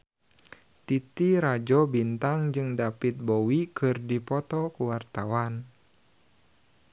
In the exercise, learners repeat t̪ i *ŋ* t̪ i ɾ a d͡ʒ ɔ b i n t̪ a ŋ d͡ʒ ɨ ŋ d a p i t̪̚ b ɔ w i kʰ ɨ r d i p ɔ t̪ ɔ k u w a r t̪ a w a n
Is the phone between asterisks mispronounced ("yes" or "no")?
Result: yes